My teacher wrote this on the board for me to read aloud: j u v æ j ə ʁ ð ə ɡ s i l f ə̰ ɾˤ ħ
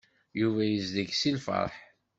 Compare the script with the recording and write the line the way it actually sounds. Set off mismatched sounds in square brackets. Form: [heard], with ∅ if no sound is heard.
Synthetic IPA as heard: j u v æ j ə [z] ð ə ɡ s i l f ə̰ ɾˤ ħ